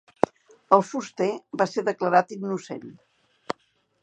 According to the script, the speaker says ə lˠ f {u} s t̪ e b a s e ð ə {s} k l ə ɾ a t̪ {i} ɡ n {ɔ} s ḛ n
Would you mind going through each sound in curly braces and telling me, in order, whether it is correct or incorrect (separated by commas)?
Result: correct, incorrect, correct, incorrect